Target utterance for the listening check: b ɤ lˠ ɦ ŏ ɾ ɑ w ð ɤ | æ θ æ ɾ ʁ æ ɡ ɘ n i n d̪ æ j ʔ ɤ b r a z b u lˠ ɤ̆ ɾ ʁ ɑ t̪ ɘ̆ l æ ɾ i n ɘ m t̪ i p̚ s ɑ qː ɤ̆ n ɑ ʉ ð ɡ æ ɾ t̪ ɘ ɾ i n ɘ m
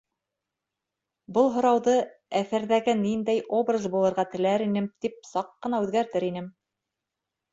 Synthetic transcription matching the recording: b ɤ lˠ ɦ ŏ ɾ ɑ w ð ɤ | æ θ æ ɾ ð æ ɡ ɘ n i n d̪ æ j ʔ o b r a z b u lˠ ɤ̆ ɾ ʁ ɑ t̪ ɘ̆ l æ ɾ i n ɘ m t̪ i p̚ s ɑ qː ɤ̆ n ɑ ʉ ð ɡ æ ɾ t̪ ɘ ɾ i n ɘ m

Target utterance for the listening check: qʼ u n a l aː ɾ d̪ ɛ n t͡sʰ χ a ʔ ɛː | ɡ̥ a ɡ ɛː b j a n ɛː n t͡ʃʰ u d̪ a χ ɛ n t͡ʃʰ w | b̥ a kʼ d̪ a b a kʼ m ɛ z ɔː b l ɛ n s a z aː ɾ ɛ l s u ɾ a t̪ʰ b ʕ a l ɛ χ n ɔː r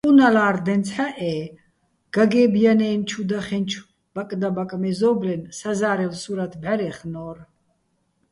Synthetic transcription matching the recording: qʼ u n a l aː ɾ d̪ ɛ n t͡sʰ ħ a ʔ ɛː | ɡ̥ a ɡ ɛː b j a n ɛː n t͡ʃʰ u d̪ a χ ɛ n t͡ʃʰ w | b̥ a kʼ d̪ a b a kʼ m ɛ z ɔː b l ɛ n s a z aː ɾ ɛ l s u ɾ a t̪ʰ b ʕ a ɾ ɛ χ n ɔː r

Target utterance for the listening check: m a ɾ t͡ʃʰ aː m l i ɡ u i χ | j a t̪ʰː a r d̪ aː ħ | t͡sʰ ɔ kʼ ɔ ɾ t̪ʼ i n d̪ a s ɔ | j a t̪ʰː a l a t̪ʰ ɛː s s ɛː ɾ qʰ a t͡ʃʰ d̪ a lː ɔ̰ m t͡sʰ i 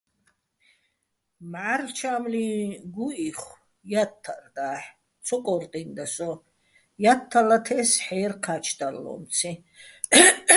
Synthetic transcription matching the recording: m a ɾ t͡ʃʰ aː m l i ɡ u i χ | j a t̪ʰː a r d̪ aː ħ | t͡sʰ ɔ kʼ ɔ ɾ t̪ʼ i n d̪ a s ɔ | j a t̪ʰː a l a t̪ʰ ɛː s ħ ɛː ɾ qʰ a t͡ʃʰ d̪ a lː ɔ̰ m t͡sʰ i

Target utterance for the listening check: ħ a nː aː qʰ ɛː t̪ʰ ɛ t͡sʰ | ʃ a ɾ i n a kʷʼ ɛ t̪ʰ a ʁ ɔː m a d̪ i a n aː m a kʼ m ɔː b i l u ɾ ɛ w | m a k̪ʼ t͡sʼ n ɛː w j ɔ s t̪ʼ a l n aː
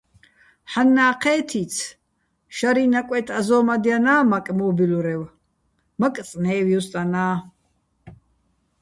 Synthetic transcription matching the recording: ħ a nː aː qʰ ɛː t̪ʰ i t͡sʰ | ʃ a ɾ i n a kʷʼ ɛ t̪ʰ a z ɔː m a d̪ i a n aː m a kʼ m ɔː b i l u ɾ ɛ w | m a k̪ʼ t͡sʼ n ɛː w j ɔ s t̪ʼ a n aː

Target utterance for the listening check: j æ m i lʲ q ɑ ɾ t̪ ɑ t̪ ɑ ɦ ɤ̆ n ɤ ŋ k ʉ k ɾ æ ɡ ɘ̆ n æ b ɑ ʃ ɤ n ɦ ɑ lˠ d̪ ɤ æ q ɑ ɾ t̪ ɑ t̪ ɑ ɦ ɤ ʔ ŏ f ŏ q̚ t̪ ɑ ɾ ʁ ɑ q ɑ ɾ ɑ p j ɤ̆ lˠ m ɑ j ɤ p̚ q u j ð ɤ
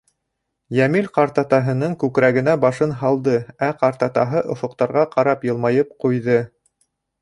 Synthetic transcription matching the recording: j æ m i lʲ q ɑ ɾ t̪ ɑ t̪ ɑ ɦ ɤ̆ n ɤ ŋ k ʉ k ɾ æ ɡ ɘ̆ n æ b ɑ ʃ ɤ n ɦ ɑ lˠ d̪ ɤ æ q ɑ ɾ t̪ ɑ t̪ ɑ ɦ ɤ ʔ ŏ f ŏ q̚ t̪ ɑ ɾ ʁ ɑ q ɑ ɾ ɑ p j ɤ̆ lˠ m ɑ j ɤ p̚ q u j ð ɤ

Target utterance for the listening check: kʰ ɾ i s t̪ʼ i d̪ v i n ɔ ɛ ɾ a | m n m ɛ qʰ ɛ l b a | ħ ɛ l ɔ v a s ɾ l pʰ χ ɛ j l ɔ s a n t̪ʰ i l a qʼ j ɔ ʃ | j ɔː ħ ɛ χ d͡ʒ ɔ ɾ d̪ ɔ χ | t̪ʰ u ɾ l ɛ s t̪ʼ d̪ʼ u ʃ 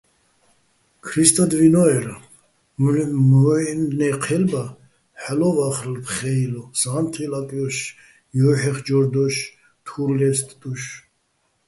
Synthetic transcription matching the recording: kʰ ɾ i s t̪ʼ a d̪ v i n ɔ ɛ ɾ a | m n n ɛ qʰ ɛ l b a | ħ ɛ l ɔ v a χ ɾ l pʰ χ ɛ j l ɔ s a n t̪ʰ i l a kʼ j ɔ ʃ | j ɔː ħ ɛ χ d͡ʒ ɔ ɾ d̪ ɔ ʃ | t̪ʰ u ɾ l ɛ s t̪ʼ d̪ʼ u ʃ

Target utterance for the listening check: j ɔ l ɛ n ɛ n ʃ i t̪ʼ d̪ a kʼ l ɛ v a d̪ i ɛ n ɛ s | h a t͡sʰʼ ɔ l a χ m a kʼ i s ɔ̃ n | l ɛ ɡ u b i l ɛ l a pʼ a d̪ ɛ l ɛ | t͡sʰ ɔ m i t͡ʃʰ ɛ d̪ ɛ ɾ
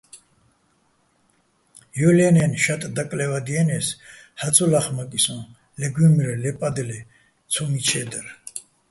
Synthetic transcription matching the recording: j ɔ l ɛ n ɛ n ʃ a t̪ʼ d̪ a kʼ l ɛ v a d̪ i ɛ n ɛ s | h a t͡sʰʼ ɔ l a χ m a kʼ i s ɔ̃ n | l ɛ ɡ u m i ɾ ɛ l ɛ pʼ a d̪ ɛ l ɛ | t͡sʰ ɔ m i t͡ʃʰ ɛ d̪ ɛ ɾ

